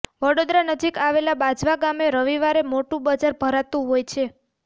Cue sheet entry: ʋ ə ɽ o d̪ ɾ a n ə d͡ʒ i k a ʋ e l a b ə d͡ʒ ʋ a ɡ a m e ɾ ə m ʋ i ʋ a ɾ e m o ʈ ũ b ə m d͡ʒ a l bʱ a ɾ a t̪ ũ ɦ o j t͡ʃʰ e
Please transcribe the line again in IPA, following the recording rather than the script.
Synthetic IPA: ʋ ə ɽ o d̪ ɾ a n ə d͡ʒ i k a ʋ e l a b a d͡ʒ ʋ a ɡ a m e ɾ ə ʋ i ʋ a ɾ e m o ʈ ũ b ə d͡ʒ a ɾ bʱ ə ɾ a t̪ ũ ɦ o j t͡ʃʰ e